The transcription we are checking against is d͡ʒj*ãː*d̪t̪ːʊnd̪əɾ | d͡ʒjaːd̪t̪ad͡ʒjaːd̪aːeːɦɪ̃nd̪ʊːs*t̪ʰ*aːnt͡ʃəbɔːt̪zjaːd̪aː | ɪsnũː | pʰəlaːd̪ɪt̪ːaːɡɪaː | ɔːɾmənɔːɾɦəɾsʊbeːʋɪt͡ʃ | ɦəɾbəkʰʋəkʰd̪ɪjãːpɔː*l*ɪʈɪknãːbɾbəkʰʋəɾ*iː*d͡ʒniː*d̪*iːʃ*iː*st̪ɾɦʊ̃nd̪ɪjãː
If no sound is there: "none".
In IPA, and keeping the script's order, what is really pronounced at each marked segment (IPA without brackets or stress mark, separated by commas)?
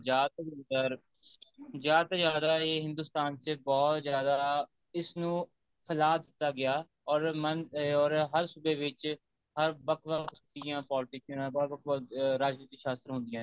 aː, t̪, l, aː, t̪, aː